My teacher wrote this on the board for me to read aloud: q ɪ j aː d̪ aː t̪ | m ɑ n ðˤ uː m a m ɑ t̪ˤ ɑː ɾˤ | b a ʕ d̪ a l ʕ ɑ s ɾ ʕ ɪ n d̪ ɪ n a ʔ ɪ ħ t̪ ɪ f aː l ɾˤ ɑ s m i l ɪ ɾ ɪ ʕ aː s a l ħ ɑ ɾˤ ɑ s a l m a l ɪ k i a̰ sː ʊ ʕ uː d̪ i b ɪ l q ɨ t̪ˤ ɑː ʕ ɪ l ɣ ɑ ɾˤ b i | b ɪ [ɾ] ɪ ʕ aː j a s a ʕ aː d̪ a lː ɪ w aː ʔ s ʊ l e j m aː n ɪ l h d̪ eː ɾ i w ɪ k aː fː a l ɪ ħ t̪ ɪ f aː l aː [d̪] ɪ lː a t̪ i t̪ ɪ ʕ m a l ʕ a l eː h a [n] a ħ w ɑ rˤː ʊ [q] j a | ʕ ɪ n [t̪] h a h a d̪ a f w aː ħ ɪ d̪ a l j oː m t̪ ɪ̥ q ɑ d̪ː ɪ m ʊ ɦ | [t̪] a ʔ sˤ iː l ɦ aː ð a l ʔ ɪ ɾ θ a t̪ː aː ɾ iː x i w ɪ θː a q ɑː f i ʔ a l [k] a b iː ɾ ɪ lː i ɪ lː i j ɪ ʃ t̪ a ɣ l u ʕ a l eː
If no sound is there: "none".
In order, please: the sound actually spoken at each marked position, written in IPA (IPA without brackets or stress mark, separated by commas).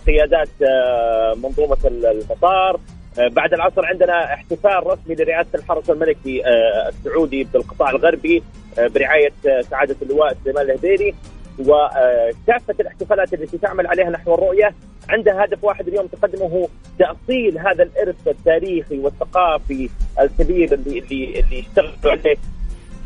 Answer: ɾ, t̪, n, ʔ, d̪, t̪, k